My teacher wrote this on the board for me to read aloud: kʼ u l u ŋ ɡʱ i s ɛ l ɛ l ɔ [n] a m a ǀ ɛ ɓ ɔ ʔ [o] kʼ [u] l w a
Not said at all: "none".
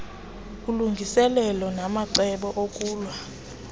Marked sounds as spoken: n, o, uː

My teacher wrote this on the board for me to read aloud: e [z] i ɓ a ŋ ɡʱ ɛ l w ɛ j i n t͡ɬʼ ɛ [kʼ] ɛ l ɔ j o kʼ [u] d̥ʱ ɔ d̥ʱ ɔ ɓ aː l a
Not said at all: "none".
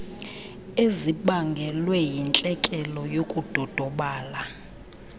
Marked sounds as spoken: z, kʼ, u

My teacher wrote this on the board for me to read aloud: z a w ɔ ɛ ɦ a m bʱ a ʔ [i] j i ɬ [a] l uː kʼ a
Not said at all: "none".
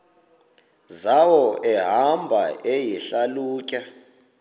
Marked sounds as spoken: e, a

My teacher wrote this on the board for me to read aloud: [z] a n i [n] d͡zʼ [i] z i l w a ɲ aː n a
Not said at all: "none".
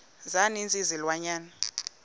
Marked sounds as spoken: z, n, i

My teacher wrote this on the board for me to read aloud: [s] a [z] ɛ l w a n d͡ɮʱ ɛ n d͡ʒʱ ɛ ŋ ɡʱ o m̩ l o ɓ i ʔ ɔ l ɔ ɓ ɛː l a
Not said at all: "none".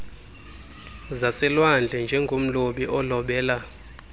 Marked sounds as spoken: z, s

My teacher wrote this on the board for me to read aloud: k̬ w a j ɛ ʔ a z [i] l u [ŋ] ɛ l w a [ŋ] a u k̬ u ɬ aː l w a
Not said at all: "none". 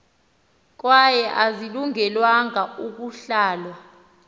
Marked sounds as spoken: i, ŋ, ŋ

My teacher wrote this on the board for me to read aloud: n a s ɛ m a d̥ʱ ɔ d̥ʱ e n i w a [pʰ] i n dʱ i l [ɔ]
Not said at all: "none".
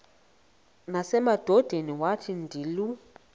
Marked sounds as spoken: tʰ, u

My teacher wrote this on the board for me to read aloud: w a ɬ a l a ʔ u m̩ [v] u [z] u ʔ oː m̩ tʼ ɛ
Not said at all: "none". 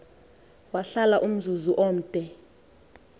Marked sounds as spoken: z, z

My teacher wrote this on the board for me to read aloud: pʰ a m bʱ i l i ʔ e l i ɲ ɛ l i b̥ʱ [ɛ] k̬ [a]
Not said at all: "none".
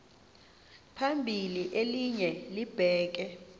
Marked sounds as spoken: ɛː, ɛ

